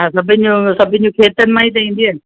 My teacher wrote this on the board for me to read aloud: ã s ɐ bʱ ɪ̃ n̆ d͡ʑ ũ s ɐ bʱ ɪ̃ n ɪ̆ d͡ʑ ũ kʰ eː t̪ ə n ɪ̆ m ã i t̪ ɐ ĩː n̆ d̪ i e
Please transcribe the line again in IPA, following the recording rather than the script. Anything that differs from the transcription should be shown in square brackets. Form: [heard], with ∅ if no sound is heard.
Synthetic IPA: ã s ɐ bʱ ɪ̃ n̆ d͡ʑ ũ s ɐ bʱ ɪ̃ n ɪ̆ d͡ʑ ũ kʰ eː t̪ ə n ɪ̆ m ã i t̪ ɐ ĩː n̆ d̪ i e